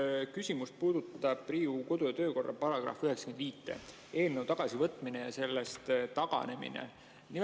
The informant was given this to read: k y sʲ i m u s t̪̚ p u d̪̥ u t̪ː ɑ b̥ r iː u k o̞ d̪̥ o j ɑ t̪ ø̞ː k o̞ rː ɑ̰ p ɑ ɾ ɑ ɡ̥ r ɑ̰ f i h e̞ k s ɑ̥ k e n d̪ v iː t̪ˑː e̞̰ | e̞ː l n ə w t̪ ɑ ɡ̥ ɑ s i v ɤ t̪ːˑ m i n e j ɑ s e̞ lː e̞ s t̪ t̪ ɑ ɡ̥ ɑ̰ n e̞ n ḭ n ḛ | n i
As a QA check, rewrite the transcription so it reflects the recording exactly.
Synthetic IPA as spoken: k y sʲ i m u s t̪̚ p uː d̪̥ u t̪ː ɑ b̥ r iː u k o̞ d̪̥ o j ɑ t̪ ø̞ː k o̞ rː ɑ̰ p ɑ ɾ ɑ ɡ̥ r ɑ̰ f y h e̞ k s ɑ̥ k e n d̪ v iː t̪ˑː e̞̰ | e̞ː l n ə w t̪ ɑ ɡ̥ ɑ s i v ɤ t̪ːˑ m i n e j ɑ s e̞ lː e̞ s t̪ t̪ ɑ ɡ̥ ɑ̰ n e̞ m ḭ n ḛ | n i